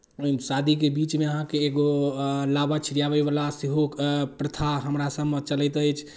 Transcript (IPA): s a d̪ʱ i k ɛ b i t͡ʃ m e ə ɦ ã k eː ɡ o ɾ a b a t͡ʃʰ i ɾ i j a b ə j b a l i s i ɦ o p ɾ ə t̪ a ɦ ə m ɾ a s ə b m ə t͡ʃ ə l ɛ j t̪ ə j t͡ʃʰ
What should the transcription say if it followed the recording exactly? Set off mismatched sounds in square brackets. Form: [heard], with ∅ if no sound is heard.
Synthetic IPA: s a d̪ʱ i k [e] b i t͡ʃ m e ə ɦ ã k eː ɡ o [l] a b a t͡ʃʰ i ɾ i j a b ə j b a l [a] s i ɦ o p ɾ ə [t̪ʰ] a ɦ ə m ɾ a s ə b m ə t͡ʃ ə l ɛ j t̪ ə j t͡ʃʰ

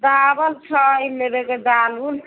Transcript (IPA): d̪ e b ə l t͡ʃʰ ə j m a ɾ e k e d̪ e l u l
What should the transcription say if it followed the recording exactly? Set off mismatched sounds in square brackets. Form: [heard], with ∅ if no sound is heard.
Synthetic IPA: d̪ [a] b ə l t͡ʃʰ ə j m [e] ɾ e k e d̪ [a] l u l

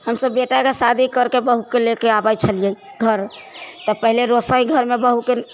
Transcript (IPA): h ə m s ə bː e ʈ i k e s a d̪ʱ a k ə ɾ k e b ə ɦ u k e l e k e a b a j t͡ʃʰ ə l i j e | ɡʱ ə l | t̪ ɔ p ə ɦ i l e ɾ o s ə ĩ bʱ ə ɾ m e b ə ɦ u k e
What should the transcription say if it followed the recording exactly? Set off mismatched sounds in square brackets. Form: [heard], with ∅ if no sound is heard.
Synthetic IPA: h ə m s ə bː e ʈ [a] k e s a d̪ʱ [i] k ə ɾ k e b ə ɦ u k e l e k e a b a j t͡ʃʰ ə l i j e | ɡʱ ə [ɾ] | t̪ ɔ p ə ɦ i l e ɾ o s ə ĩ [ɡʱ] ə ɾ m e b ə ɦ u k e

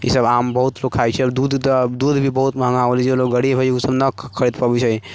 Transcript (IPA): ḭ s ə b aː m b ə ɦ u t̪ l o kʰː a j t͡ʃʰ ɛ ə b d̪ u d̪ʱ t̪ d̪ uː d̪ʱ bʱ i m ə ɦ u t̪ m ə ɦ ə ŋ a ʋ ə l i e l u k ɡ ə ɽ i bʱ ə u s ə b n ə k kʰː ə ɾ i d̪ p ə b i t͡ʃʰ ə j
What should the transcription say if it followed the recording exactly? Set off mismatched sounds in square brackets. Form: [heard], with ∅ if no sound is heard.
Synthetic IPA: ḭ s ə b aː m b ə ɦ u t̪ l o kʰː a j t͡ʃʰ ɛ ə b d̪ u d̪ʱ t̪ d̪ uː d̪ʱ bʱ i [b] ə ɦ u t̪ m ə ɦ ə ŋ a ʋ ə l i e l [o] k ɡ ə ɽ i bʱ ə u s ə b n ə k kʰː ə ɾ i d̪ p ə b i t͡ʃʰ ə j

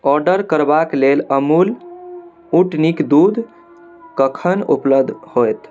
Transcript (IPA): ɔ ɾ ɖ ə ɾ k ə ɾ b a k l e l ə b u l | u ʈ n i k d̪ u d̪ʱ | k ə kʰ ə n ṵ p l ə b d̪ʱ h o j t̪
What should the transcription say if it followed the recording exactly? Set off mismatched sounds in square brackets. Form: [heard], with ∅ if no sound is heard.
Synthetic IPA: ɔ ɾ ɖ ə ɾ k ə ɾ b a k l e l ə [m] u l | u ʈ n i k d̪ u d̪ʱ | k ə kʰ ə n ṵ p l ə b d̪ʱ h o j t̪

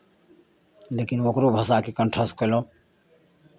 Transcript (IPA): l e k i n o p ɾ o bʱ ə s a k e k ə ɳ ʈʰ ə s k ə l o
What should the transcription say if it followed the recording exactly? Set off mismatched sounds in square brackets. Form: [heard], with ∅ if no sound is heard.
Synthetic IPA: l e k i n o [k] ɾ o bʱ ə s a k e k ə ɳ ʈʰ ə s k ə l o

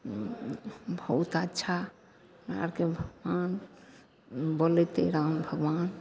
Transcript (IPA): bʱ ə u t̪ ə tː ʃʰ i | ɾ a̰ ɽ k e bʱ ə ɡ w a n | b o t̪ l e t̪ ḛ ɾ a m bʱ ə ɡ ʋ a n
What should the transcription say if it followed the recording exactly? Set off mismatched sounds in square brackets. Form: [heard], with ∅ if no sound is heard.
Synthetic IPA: bʱ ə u t̪ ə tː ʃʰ [a] | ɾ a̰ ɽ k e bʱ ə ɡ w a n | b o [∅] l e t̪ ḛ ɾ a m bʱ ə ɡ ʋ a n

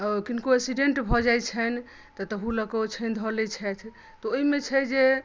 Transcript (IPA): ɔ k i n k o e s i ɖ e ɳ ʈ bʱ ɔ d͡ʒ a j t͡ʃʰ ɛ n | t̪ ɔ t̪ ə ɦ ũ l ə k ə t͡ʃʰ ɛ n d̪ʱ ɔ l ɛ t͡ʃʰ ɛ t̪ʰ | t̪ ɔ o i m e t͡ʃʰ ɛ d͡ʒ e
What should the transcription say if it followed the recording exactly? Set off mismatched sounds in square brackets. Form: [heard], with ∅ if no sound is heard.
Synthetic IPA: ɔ k i n k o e s i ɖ e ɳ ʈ bʱ ɔ d͡ʒ a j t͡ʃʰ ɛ n | t̪ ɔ t̪ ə ɦ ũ l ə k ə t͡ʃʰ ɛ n d̪ʱ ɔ l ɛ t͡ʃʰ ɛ t̪ʰ | t̪ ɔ o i m e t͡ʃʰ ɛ d͡ʒ e

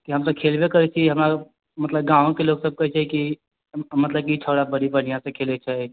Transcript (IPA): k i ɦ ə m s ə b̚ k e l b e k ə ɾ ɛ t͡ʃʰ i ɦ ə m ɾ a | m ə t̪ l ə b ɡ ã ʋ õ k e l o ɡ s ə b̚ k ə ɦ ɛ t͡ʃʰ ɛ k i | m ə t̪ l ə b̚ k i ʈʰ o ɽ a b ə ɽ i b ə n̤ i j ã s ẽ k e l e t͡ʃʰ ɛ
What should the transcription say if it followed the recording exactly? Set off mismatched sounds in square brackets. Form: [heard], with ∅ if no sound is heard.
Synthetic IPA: k i ɦ ə m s ə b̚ [kʰ] e l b e k ə ɾ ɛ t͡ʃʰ i ɦ ə m ɾ a | m ə t̪ l ə b ɡ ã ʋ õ k e l o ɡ s ə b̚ k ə ɦ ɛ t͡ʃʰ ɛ k i | m ə t̪ l ə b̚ k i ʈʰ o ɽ a b ə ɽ i b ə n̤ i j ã s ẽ [kʰ] e l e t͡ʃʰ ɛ

